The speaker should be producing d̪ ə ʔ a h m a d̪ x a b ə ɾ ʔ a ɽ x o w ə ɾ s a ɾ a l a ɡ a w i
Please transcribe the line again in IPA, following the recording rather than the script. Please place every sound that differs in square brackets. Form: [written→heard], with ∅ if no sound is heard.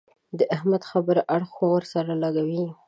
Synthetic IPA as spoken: d̪ ə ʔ a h m a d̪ x a b ə ɾ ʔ a ɽ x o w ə ɾ s a ɾ a l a ɡ a w i